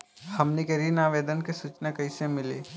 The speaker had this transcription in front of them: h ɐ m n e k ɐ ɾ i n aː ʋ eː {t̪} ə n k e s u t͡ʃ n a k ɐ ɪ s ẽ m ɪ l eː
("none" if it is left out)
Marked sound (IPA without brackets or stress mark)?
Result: d̪